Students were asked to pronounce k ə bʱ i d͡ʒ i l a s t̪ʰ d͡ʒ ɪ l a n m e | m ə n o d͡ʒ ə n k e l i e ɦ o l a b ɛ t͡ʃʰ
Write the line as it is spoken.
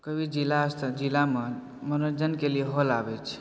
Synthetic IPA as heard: k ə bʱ i d͡ʒ i l a s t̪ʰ d͡ʒ i l a m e | m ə n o d͡ʒ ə n k e l i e ɦ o l a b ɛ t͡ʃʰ

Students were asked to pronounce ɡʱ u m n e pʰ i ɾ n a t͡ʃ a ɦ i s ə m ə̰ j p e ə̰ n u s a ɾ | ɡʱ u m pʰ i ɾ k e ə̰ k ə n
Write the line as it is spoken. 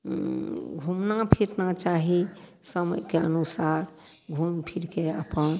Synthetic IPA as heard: ɡʱ u m n a pʰ i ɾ n a t͡ʃ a ɦ i s ə m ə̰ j k e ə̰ n u s a ɾ | ɡʱ u m pʰ i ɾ k e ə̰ p ə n

